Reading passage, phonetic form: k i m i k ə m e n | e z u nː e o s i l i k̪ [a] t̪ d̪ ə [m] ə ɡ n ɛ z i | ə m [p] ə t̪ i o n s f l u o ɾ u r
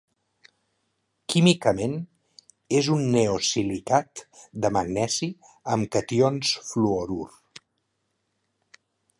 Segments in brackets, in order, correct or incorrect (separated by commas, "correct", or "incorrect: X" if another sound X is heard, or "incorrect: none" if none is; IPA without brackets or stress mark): correct, correct, incorrect: k